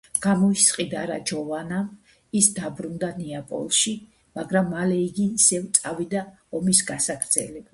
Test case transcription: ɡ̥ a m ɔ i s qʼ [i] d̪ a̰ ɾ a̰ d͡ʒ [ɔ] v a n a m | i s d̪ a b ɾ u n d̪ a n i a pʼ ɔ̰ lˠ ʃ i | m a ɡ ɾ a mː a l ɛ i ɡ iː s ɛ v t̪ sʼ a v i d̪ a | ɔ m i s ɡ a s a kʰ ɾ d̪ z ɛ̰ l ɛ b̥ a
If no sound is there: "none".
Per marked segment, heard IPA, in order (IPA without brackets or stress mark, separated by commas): i, ɔ